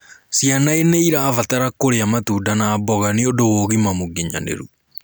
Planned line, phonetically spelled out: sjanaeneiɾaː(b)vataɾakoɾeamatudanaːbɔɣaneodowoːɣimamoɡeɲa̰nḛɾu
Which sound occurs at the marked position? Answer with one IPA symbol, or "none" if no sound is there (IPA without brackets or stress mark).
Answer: none